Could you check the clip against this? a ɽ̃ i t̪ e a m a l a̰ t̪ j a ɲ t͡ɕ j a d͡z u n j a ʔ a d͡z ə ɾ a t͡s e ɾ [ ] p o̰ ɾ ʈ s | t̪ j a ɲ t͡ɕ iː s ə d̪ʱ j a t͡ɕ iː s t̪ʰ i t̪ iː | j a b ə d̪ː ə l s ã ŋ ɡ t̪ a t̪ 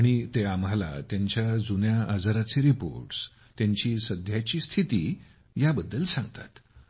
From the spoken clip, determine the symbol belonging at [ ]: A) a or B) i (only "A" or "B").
B